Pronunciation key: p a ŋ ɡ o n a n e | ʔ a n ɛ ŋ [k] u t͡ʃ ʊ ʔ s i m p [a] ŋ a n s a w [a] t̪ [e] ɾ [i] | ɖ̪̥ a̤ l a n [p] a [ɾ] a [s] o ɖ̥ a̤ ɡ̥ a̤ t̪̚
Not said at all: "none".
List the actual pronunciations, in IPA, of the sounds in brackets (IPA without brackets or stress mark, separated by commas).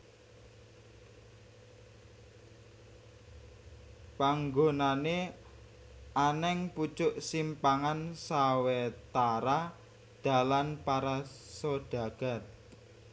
p, a, e, a, a, p, ɾ, s